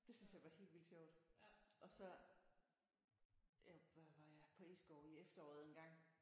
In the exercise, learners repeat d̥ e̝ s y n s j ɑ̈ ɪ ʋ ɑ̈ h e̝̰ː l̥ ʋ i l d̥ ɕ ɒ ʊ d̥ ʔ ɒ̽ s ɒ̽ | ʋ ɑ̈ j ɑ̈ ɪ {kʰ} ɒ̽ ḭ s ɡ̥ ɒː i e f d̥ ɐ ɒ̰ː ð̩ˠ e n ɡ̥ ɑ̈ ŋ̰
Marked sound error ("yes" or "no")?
yes